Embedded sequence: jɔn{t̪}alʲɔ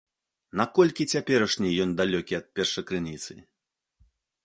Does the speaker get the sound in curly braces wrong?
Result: yes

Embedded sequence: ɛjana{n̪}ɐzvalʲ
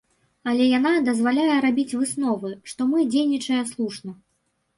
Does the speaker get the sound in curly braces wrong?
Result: yes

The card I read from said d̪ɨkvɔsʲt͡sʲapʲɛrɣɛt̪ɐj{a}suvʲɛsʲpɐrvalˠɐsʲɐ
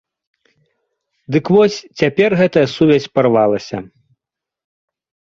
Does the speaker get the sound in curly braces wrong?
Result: yes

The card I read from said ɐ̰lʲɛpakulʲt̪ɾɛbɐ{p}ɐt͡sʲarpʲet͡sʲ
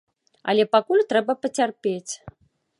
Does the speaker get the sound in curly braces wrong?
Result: no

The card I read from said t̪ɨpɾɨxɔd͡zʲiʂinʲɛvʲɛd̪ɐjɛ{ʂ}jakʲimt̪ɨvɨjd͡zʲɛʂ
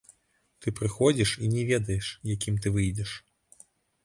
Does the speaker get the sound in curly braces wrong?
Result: no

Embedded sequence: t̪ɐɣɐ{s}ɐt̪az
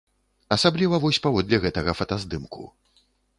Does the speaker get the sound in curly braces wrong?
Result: yes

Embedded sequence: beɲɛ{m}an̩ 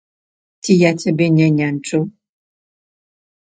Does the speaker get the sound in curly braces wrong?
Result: yes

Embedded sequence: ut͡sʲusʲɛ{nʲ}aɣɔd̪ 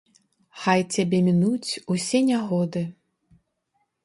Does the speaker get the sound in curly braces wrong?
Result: no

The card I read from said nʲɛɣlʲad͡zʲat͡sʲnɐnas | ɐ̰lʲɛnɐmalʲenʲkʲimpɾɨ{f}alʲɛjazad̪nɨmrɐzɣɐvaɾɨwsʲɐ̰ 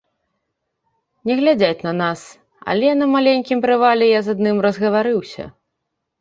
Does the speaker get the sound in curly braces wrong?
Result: yes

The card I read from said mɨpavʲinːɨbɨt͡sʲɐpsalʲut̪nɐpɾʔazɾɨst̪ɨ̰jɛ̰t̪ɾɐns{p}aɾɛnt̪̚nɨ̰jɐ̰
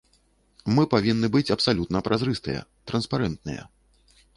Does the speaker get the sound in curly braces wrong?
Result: no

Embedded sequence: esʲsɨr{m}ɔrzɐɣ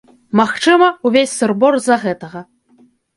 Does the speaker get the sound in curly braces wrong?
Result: yes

